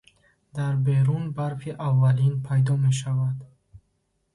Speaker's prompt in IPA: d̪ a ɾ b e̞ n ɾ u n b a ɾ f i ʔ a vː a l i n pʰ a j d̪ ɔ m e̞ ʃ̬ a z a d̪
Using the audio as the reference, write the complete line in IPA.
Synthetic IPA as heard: d̪ a ɾ b e̞ ɾ u n b a ɾ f i ʔ a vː a l i n pʰ a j d̪ ɔ m e̞ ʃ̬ a v a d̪